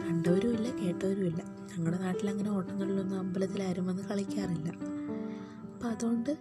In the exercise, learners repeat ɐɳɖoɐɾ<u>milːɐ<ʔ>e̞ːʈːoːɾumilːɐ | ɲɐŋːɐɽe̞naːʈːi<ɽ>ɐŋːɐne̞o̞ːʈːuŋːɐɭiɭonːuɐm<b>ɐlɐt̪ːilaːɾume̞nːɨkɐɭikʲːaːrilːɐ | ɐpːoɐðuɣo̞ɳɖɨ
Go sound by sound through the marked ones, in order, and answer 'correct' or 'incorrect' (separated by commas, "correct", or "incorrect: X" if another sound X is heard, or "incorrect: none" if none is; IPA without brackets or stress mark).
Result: correct, incorrect: k, incorrect: l, correct